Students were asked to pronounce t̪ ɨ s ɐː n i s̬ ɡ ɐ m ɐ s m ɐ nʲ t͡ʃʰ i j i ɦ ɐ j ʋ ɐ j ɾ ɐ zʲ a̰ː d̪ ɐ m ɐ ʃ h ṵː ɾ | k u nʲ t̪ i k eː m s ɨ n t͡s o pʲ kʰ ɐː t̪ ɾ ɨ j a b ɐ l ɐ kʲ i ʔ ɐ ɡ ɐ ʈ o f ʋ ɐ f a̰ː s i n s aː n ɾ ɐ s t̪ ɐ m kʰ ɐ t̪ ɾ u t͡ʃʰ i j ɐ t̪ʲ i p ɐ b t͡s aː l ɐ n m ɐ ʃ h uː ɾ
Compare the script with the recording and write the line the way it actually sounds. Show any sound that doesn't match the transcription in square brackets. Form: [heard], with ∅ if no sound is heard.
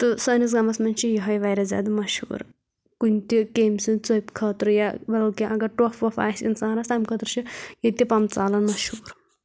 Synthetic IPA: t̪ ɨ s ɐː n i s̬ ɡ ɐ m ɐ s m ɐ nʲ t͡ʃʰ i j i ɦ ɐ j ʋ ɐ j ɾ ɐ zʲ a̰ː d̪ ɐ m ɐ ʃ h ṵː ɾ | k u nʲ t̪ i k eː m s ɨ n t͡s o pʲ kʰ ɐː t̪ ɾ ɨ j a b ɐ l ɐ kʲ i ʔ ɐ ɡ ɐ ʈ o f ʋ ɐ f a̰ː s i n s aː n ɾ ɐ s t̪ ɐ m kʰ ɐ t̪ ɾ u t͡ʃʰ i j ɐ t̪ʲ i p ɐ [m] t͡s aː l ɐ n m ɐ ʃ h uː ɾ